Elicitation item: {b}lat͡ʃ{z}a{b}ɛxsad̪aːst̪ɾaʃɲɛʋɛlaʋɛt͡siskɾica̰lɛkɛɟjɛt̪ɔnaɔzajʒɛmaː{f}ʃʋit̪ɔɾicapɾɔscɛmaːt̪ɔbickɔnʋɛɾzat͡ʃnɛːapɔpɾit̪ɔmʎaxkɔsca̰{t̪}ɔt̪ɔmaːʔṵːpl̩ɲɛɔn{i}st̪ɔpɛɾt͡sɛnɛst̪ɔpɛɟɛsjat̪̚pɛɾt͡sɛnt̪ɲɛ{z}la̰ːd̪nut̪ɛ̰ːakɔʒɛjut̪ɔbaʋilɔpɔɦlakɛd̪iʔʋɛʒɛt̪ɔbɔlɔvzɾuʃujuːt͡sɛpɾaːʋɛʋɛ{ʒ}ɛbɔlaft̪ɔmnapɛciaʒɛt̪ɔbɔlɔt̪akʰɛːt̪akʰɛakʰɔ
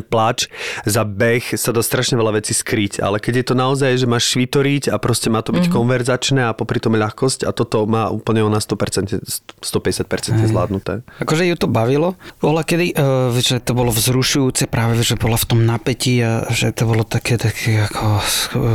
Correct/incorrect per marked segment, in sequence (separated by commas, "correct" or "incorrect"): incorrect, correct, correct, incorrect, correct, incorrect, correct, correct